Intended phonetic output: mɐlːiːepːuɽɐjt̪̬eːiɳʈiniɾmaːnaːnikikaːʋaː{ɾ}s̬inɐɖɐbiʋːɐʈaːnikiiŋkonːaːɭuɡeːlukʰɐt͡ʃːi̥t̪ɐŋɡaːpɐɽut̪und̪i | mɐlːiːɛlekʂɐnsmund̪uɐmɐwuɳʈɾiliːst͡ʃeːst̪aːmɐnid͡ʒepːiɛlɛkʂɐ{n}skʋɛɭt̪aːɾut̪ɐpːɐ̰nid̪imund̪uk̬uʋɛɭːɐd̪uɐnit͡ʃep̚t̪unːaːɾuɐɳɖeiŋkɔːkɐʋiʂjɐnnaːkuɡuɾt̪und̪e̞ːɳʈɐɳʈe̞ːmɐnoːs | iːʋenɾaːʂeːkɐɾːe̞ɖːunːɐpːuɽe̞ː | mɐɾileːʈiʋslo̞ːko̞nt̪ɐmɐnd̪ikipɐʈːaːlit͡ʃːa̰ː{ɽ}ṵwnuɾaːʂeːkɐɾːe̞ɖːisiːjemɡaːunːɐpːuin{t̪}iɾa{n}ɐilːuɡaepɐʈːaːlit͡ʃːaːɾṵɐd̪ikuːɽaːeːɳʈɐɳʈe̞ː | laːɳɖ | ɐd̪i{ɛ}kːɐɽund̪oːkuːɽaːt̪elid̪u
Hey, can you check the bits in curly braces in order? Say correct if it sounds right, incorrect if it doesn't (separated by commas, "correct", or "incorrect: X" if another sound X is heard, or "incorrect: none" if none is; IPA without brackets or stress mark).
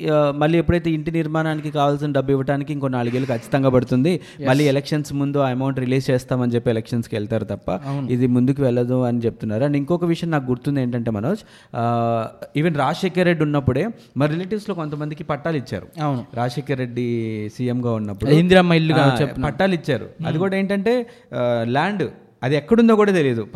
incorrect: l, correct, incorrect: ɾ, incorrect: d̪, incorrect: m, correct